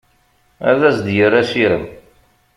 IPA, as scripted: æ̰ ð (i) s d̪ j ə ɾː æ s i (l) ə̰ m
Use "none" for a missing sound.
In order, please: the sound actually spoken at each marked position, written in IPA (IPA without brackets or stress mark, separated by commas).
æ, ɾ